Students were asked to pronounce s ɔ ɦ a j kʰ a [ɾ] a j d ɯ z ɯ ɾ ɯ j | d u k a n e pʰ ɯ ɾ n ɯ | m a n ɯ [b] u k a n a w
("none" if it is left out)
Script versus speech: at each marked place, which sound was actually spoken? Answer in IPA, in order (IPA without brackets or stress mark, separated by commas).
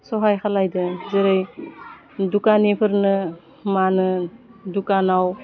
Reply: l, d